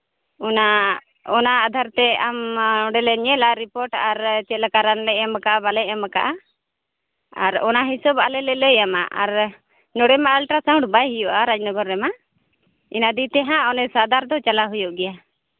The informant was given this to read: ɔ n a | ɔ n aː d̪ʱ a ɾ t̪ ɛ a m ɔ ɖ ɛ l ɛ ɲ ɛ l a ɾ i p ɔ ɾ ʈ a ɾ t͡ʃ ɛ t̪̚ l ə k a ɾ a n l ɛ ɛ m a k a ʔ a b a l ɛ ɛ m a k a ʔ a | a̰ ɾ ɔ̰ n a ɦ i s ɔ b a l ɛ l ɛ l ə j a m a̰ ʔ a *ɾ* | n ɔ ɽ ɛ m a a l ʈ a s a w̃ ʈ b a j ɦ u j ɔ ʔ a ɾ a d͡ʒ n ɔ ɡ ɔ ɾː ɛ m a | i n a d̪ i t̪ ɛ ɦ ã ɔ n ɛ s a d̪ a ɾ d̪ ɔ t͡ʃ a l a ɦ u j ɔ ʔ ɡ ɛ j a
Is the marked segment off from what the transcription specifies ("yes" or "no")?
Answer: no